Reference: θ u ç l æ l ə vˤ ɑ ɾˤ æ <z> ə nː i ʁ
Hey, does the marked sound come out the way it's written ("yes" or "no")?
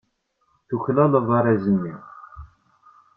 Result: yes